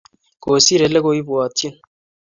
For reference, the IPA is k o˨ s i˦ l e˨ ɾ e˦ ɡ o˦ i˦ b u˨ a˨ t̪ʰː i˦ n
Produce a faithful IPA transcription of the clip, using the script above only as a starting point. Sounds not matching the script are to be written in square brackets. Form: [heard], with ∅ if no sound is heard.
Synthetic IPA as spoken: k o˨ s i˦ [ɾ] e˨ [l] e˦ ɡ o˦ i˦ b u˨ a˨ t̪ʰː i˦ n